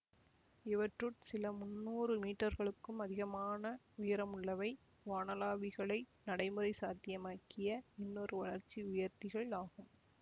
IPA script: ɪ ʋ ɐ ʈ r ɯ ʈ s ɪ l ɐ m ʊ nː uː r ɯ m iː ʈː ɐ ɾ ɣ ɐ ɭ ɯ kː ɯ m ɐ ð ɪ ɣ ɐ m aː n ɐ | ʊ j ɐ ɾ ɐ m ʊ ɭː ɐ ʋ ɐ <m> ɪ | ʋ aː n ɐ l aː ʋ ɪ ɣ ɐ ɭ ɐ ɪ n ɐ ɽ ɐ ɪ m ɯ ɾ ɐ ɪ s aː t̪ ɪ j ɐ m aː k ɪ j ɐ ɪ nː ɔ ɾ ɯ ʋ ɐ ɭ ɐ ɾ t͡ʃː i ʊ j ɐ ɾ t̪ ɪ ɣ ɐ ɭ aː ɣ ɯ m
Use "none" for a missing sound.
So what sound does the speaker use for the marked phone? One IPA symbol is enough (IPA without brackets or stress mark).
none